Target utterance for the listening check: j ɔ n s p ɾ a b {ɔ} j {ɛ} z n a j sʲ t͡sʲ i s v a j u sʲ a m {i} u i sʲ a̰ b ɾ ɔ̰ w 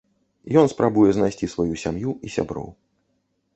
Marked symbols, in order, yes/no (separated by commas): no, yes, no